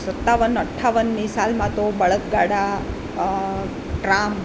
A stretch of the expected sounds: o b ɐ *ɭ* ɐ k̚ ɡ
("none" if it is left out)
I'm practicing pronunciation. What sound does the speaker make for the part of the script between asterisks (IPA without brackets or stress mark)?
ɭ